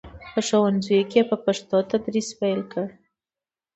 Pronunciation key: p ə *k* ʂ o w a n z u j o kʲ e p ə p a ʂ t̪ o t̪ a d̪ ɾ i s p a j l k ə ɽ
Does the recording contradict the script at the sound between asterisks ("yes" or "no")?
yes